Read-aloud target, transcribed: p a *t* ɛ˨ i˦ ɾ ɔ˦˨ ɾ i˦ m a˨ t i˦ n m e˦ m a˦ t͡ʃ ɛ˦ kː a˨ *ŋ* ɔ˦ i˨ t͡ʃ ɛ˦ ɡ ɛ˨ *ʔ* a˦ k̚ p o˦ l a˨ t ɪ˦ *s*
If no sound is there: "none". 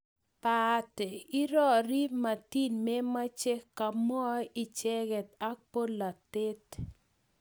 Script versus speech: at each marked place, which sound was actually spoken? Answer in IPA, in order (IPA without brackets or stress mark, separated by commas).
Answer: t, m, t, t